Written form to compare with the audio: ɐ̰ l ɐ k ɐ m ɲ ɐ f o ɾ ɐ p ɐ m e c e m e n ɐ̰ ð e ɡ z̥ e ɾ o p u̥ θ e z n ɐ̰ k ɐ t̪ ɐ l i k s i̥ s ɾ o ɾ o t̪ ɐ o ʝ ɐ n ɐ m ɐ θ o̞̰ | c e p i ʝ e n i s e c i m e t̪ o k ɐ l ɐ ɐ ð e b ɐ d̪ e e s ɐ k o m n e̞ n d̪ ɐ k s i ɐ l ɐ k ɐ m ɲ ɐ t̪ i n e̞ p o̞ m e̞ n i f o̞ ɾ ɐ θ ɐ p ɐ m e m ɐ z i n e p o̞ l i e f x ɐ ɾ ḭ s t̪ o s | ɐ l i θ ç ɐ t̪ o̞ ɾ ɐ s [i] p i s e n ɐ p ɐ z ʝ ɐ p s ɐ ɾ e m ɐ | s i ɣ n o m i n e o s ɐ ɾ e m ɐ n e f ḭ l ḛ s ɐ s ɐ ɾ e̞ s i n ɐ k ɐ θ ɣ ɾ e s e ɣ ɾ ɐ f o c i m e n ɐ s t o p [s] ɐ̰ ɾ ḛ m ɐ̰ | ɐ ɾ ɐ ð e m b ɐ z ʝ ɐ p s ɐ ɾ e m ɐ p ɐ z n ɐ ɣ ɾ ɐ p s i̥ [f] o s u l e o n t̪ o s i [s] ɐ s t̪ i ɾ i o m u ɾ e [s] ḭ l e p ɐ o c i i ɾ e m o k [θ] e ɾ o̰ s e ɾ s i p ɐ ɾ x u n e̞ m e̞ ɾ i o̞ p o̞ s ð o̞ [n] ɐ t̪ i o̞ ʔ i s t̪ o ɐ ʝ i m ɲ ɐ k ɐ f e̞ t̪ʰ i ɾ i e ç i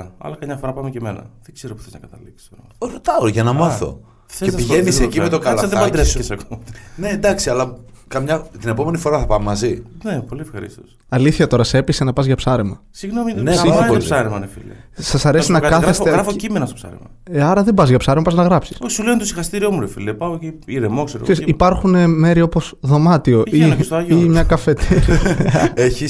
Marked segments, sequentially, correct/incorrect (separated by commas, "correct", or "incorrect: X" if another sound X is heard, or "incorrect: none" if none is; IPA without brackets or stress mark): incorrect: e, correct, incorrect: s, incorrect: x, incorrect: f, incorrect: s, incorrect: m